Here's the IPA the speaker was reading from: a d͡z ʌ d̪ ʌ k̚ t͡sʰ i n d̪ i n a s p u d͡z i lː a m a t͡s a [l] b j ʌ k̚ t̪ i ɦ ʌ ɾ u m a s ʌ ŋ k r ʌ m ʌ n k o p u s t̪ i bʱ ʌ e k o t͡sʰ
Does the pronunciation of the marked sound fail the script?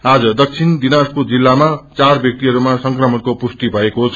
yes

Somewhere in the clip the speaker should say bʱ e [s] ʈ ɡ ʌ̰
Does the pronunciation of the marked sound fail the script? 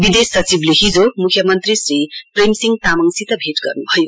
yes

